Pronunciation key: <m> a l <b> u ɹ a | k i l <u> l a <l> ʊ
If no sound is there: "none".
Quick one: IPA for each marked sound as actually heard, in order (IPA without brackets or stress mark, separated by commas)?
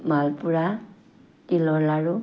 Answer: m, p, ɔ, ɹ